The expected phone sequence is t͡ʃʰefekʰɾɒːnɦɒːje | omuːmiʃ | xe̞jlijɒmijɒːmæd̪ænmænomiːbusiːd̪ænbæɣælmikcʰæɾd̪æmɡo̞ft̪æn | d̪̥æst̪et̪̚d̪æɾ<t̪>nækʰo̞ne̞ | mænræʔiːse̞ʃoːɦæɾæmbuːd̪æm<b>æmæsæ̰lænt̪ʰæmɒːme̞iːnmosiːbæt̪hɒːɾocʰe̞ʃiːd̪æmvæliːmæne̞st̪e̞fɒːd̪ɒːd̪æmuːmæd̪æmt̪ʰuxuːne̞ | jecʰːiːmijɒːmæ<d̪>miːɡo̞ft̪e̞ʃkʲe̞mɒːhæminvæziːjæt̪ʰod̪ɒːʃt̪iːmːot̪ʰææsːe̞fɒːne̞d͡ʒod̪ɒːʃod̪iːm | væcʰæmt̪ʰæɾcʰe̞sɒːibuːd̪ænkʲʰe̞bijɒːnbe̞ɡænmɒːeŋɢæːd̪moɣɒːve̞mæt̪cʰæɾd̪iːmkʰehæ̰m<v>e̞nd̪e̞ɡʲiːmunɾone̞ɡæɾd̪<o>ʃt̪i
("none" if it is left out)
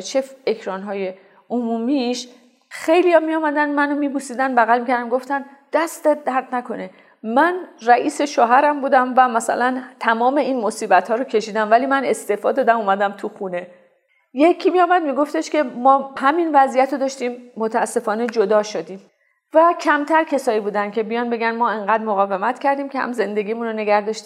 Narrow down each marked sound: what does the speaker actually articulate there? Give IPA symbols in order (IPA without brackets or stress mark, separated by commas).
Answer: d̪, v, d̪, z, ɒ